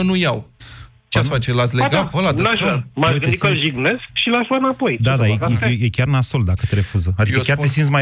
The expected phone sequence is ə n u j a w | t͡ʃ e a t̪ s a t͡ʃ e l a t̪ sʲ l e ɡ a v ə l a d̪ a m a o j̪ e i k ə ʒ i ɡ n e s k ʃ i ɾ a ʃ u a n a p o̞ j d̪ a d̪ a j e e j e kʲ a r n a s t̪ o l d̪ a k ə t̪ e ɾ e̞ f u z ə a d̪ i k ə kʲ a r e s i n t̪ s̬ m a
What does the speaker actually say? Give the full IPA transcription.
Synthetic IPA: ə n u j a w | t͡ʃ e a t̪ f a t͡ʃ e l a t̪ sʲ l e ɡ a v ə l a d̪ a m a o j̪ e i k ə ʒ i ɡ n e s k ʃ i l a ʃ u a n a p o̞ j d̪ a d̪ a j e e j e kʲ a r n a s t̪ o l d̪ a k ə t̪ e ɾ e̞ f u z ə a d̪ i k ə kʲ a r e s i n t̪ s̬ m a